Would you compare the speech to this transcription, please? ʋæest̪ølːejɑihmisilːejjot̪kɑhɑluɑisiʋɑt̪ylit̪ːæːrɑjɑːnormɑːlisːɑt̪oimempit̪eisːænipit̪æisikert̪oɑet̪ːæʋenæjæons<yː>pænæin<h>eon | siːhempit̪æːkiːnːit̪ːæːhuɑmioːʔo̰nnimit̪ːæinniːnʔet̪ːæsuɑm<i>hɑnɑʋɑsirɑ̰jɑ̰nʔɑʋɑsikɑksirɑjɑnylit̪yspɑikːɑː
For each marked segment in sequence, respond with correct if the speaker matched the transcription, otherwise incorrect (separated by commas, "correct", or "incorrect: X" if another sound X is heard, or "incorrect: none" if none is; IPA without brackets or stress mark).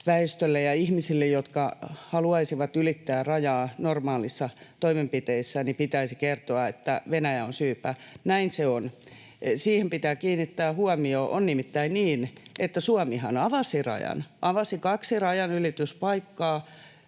correct, incorrect: s, correct